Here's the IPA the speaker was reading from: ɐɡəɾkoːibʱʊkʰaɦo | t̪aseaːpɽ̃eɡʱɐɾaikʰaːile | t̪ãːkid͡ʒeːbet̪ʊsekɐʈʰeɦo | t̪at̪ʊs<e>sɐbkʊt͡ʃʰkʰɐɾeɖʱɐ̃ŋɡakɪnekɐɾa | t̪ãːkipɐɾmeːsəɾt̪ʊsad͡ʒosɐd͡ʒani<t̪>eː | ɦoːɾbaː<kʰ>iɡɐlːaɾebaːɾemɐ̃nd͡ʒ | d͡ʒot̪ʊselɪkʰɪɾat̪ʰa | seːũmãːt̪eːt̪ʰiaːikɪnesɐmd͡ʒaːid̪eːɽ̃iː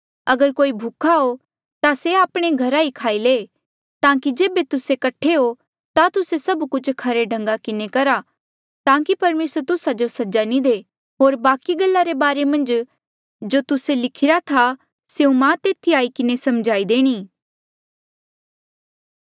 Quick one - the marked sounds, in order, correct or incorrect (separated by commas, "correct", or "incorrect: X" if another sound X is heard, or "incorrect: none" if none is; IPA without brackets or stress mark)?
correct, incorrect: d̪, incorrect: k